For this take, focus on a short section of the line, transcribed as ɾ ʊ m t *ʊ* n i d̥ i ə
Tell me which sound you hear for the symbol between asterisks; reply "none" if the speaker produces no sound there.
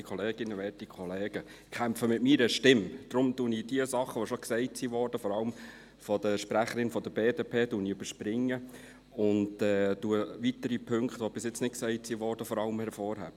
u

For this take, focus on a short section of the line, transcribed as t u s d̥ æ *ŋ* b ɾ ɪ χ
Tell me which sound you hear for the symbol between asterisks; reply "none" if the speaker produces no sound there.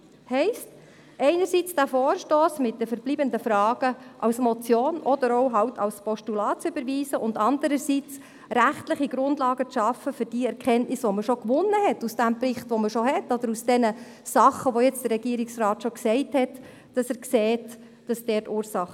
m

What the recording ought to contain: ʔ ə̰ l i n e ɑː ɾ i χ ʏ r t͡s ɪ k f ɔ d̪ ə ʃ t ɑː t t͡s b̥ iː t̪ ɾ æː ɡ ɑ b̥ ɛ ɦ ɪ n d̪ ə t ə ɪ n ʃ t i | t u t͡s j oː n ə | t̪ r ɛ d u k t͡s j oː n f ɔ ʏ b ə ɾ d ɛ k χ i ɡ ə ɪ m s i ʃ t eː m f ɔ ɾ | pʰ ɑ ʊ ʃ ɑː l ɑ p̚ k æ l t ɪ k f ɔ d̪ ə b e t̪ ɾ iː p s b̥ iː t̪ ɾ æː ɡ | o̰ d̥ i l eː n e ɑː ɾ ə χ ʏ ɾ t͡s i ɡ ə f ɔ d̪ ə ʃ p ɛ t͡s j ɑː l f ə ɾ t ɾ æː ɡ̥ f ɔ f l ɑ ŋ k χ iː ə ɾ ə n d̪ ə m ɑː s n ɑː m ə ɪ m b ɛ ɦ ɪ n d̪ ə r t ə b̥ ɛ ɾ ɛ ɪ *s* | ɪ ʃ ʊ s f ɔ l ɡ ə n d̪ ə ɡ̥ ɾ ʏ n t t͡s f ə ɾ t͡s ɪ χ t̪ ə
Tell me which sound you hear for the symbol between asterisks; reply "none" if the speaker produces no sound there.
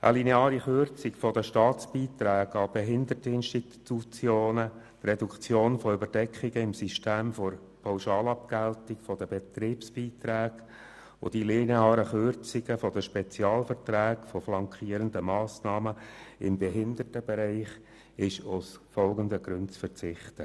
χ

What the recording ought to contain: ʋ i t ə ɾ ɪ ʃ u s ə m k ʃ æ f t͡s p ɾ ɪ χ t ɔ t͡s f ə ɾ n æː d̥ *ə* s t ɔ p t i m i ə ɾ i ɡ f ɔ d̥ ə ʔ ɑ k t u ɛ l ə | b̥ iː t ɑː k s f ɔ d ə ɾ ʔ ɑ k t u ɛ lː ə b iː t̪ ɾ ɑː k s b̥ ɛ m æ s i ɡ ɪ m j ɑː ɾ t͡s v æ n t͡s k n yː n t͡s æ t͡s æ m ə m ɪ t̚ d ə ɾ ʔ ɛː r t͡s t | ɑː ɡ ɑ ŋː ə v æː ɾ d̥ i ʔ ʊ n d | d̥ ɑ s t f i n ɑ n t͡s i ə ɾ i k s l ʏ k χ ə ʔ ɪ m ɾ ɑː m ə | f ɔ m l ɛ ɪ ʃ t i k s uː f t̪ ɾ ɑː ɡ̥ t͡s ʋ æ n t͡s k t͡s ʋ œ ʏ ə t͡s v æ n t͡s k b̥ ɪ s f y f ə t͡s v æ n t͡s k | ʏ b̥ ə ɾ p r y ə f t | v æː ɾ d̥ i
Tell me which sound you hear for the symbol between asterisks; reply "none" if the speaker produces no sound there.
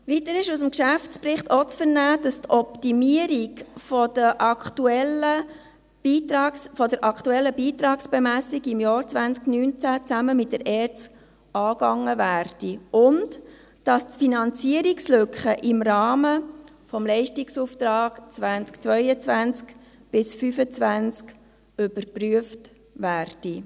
ɑ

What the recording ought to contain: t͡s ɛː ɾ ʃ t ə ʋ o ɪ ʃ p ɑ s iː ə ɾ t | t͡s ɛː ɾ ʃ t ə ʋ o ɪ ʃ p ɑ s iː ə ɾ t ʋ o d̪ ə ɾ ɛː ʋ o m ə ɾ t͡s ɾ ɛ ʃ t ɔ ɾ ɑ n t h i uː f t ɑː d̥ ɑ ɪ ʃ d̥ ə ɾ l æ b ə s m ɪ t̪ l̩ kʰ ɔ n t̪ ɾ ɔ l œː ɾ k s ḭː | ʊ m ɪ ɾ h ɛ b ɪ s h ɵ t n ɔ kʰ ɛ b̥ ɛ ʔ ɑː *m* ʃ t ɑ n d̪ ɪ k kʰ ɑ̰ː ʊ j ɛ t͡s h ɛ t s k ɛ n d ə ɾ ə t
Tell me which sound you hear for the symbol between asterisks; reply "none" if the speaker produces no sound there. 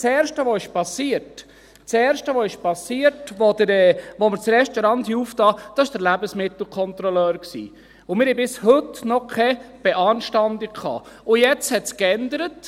n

